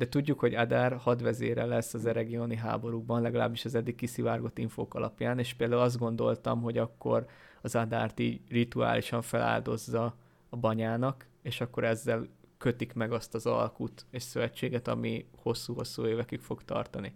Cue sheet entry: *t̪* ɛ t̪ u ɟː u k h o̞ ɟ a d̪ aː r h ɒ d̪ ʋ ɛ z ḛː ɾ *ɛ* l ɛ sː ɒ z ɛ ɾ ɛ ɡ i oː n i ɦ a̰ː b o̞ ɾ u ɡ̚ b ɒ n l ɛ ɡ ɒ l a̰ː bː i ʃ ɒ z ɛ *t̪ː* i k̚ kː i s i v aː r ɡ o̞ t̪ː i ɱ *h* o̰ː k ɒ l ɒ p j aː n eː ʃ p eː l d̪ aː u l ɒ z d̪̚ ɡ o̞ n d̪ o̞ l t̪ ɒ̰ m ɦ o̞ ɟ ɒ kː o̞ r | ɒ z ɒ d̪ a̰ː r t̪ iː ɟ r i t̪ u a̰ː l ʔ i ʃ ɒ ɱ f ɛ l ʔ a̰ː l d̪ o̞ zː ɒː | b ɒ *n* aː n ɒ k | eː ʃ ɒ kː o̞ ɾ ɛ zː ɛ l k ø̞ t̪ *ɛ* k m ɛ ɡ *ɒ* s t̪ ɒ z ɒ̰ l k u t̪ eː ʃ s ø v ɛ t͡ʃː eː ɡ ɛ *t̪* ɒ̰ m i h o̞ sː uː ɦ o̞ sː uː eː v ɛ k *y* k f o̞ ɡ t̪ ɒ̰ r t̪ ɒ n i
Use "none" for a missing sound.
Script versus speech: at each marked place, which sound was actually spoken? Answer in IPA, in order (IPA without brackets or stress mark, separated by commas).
d̪, ɛ, d̪ː, f, ɲ, i, ɒ, t̪, y